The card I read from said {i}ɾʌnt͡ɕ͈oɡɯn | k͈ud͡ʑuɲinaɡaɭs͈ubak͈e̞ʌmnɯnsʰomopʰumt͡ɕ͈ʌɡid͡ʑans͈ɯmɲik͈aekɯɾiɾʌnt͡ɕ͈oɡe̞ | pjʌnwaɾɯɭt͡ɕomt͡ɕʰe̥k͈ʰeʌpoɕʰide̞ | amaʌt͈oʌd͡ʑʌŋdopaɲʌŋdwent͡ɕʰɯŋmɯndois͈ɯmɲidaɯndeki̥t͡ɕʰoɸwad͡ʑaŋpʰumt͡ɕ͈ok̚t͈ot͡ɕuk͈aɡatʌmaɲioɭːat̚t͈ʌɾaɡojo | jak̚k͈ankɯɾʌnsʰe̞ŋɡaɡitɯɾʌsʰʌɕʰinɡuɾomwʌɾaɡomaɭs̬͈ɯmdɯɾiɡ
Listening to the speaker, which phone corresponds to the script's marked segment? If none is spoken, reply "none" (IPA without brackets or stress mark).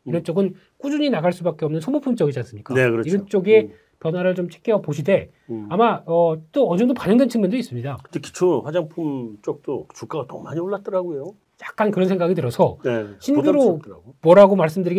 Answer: i